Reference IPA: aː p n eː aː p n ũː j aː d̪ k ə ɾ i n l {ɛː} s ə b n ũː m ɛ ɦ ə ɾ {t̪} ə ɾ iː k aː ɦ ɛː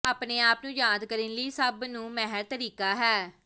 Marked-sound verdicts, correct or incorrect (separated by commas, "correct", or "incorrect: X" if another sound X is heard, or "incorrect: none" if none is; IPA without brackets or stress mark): incorrect: iː, correct